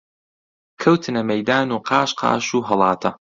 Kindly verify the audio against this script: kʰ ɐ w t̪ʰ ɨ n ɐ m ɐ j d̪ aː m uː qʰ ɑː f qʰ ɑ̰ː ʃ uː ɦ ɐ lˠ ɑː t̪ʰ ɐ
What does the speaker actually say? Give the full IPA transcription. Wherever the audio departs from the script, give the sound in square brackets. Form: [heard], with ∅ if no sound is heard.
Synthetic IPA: kʰ ɐ w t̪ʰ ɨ n ɐ m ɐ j d̪ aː [n] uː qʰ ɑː [ʃ] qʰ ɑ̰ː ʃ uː ɦ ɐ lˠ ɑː t̪ʰ ɐ